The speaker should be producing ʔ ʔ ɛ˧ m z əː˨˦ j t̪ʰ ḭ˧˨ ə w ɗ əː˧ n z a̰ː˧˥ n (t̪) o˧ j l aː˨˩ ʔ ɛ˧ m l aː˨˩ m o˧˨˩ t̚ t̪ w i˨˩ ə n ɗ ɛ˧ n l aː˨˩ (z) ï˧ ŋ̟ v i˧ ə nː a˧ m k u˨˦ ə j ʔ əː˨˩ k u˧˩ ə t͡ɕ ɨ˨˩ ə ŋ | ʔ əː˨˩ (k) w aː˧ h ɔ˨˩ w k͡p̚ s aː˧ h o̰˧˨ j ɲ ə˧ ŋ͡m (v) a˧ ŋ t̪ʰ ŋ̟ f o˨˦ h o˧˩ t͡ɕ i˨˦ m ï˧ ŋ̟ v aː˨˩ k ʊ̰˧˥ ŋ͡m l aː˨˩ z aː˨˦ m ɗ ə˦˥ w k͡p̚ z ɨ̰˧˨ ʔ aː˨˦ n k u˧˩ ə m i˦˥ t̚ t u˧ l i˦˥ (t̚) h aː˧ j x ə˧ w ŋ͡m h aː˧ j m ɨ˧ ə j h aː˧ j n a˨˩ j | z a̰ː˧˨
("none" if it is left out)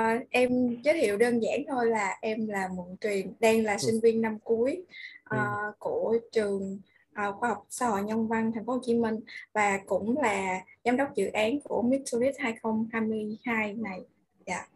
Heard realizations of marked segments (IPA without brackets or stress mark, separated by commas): t̪ʰ, s, x, v, t̚